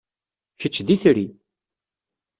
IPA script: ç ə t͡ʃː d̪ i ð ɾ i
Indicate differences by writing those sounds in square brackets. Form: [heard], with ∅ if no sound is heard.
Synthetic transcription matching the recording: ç ə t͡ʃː d̪ i [θ] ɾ i